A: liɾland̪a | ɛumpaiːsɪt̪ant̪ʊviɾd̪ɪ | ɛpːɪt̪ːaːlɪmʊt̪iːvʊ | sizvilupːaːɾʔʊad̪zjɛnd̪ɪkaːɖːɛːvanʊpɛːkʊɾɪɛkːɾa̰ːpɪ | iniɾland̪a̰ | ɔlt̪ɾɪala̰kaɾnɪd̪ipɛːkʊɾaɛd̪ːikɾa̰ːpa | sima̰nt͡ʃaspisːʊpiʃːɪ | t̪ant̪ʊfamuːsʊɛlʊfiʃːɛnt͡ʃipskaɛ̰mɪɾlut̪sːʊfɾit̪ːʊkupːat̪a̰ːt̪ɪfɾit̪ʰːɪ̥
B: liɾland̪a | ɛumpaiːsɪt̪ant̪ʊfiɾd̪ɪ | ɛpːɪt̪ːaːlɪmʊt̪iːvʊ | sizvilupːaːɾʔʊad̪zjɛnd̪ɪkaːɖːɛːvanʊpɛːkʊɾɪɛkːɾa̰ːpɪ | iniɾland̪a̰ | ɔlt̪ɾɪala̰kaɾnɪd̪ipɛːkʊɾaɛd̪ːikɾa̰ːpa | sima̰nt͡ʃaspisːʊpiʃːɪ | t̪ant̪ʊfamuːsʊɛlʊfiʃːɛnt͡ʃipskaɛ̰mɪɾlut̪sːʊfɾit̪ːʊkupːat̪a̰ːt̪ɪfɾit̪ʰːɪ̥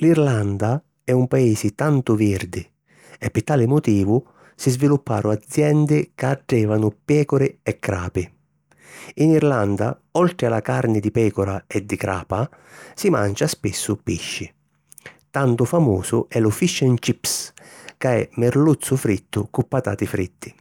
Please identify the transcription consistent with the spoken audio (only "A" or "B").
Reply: A